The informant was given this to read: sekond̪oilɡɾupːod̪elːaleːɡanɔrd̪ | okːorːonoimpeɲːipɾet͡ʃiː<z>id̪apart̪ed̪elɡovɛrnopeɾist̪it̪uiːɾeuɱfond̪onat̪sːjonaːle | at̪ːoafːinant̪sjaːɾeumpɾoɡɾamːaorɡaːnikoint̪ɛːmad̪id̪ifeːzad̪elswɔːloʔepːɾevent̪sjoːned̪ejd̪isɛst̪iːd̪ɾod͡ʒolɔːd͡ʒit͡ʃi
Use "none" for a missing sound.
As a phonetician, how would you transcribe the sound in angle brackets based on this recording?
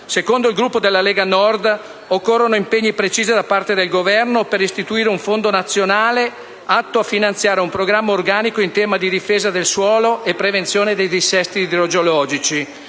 z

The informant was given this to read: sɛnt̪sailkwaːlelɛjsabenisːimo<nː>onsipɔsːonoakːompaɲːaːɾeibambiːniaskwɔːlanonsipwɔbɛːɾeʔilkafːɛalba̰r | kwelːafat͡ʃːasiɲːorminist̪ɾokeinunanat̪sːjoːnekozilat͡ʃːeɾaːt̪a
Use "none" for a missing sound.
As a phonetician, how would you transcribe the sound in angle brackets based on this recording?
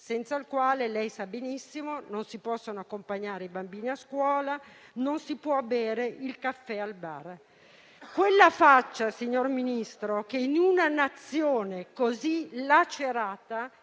n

